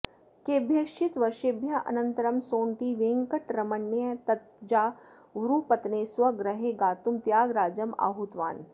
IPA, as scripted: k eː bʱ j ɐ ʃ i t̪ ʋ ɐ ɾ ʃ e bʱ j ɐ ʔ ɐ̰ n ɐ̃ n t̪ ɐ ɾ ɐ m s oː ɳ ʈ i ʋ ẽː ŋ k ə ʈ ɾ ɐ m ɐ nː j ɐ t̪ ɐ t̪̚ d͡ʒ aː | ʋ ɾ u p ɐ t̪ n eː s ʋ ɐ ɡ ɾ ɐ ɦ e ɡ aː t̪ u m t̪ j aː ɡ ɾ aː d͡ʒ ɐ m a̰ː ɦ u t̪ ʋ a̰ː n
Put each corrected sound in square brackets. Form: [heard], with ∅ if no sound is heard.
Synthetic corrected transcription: k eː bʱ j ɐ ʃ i t̪ ʋ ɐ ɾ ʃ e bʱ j ɐ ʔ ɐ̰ n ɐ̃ n t̪ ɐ ɾ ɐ m s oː ɳ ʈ i ʋ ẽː ŋ k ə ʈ ɾ ɐ m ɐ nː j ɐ t̪ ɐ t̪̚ d͡ʒ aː | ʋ ɾ u p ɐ t̪ n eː s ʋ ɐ ɡ ɾ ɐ ɦ e ɡ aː t̪ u m t̪ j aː ɡ ɾ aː d͡ʒ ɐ m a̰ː ɦ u t̪ ʋ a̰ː n